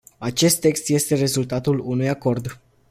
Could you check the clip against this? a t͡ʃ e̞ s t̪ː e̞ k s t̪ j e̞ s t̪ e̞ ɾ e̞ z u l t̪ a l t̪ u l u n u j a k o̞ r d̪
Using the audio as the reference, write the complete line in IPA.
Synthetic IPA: a t͡ʃ e̞ s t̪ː e̞ k s t̪ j e̞ s t̪ e̞ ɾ e̞ z u l t̪ a t̪ u l u n u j a k o̞ r d̪